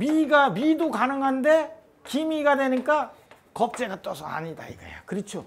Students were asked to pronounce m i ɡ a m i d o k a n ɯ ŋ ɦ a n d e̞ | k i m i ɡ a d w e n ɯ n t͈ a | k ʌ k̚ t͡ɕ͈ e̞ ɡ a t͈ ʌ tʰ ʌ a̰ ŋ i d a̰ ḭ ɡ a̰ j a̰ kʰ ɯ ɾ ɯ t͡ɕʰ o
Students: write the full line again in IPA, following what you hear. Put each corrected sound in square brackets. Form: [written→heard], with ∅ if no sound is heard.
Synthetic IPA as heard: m i ɡ a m i d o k a n ɯ ŋ ɦ a n d e̞ | k i m i ɡ a d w e n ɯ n [t͈→k͈] a | k ʌ [k̚→p̚] t͡ɕ͈ e̞ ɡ a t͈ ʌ [tʰ→sʰ] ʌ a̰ [ŋ→ɲ] i d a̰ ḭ ɡ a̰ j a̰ [kʰ→k] ɯ ɾ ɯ t͡ɕʰ o

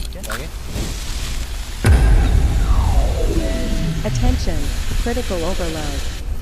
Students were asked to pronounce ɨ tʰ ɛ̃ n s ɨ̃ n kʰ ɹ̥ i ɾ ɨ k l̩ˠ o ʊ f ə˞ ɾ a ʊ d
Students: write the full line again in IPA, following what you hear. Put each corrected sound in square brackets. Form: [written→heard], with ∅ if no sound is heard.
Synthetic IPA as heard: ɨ tʰ ɛ̃ n [s→ʃ] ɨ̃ n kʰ ɹ̥ [i→ɪ] ɾ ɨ k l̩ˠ o ʊ [f→v] ə˞ [ɾ→l] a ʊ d

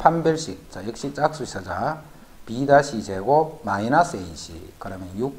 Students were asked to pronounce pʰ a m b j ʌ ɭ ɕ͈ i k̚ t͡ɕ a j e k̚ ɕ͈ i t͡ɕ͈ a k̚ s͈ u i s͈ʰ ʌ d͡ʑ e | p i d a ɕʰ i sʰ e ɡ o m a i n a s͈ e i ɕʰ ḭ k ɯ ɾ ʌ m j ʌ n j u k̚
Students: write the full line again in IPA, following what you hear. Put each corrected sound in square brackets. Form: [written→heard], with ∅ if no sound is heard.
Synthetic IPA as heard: pʰ a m b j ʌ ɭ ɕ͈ i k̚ t͡ɕ a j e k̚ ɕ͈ i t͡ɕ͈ a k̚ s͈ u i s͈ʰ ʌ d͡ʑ [e→a] | p i d a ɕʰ i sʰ e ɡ o m a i n a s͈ e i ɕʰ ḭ k ɯ ɾ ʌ m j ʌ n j u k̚

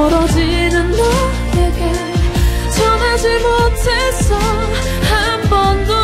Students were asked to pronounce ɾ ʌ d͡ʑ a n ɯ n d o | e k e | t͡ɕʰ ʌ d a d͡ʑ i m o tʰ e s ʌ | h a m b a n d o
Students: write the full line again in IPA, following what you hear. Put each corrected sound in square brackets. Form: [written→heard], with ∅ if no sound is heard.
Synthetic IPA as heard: ɾ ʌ d͡ʑ [a→i] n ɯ n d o | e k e | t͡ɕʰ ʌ [d→n] a d͡ʑ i m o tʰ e s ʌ | h a m b [a→ʌ] n d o

